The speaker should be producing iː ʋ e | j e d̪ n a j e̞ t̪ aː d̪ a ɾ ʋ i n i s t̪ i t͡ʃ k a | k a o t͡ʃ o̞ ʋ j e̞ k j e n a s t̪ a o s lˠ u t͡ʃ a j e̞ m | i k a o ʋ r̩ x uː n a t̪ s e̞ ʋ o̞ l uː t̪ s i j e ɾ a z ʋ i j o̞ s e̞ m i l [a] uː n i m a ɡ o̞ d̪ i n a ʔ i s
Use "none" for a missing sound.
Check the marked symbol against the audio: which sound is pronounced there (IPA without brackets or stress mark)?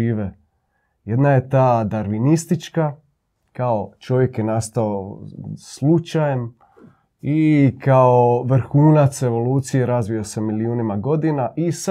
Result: i